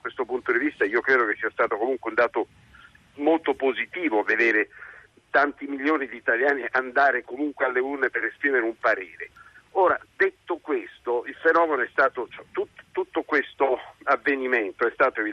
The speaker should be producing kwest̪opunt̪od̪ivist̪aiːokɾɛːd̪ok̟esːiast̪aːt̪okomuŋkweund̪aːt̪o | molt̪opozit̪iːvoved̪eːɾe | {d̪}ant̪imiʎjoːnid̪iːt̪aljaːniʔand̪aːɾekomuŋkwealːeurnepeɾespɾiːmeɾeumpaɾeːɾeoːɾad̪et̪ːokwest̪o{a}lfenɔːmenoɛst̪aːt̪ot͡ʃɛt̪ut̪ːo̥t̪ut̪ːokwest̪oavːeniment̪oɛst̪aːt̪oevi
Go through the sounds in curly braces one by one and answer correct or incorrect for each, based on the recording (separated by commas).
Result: incorrect, incorrect